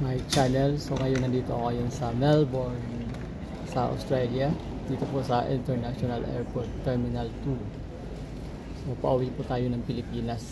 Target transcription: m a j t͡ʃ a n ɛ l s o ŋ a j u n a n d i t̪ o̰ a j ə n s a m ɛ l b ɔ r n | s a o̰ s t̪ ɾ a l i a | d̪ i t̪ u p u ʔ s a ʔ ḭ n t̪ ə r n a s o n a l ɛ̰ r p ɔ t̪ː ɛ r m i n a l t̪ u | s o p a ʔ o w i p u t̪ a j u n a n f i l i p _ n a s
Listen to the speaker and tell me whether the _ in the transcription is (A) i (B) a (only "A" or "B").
A